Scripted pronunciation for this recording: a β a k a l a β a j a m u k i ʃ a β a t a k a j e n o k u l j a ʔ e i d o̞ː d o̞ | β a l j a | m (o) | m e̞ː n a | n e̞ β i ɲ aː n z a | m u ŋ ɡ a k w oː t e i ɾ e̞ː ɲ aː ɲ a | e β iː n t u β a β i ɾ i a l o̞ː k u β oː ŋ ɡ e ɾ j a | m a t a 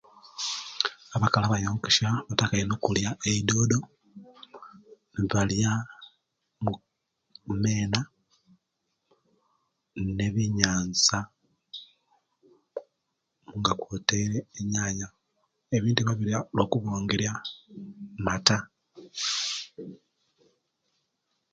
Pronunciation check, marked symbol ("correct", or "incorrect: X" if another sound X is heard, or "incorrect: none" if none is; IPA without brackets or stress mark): incorrect: u